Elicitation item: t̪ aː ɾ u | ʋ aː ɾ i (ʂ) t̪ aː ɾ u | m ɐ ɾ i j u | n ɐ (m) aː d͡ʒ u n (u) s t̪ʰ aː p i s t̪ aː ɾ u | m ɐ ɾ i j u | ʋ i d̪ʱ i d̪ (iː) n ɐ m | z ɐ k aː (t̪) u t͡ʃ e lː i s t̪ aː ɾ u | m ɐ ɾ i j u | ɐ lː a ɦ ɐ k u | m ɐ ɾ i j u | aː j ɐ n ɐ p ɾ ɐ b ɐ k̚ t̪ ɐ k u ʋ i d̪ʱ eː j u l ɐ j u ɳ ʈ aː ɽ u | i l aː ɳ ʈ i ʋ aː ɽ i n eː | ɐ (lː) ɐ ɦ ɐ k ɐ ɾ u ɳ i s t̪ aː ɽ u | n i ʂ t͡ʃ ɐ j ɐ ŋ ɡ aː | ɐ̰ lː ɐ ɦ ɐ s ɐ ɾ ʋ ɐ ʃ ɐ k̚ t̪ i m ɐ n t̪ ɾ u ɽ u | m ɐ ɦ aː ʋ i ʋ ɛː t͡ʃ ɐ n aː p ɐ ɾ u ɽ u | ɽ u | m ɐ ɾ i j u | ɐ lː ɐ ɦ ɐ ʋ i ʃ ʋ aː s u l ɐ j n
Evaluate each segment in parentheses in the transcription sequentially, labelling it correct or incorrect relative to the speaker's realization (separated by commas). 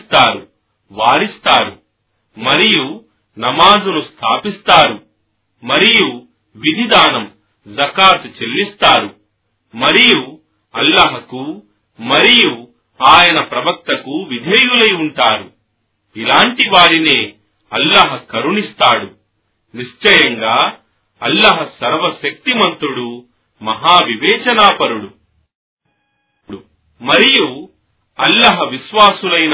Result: incorrect, correct, correct, incorrect, correct, correct